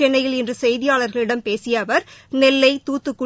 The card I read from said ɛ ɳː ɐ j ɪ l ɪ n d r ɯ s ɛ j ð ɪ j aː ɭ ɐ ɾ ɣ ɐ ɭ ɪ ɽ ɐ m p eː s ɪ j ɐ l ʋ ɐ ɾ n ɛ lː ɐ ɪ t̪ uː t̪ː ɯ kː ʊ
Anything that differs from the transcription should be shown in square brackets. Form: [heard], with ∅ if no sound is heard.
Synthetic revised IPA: ɛ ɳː ɐ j ɪ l ɪ n d r ɯ s ɛ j ð ɪ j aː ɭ ɐ ɾ ɣ ɐ ɭ ɪ ɽ ɐ m p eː s ɪ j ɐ [∅] ʋ ɐ ɾ n ɛ lː ɐ ɪ t̪ uː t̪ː ɯ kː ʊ